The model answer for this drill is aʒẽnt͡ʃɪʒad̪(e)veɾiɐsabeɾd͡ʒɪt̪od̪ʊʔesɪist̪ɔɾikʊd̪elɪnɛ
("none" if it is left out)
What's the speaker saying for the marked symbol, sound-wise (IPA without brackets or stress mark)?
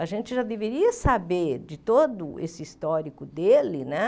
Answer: e